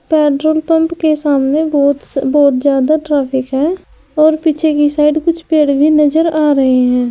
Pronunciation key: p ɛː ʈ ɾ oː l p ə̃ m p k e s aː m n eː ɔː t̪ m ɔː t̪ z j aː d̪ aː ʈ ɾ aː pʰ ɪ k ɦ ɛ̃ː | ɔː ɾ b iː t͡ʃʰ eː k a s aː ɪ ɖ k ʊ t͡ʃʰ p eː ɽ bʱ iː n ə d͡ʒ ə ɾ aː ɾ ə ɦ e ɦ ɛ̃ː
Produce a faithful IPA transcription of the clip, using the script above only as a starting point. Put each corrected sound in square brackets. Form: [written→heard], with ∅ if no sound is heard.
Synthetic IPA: p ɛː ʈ ɾ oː l p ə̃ m p k e s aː m n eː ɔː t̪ [m→b] ɔː t̪ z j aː d̪ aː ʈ ɾ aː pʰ ɪ k ɦ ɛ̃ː | ɔː ɾ [b→p] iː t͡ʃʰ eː k [a→i] s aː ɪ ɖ k ʊ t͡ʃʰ p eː ɽ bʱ iː n ə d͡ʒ ə ɾ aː ɾ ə ɦ e ɦ ɛ̃ː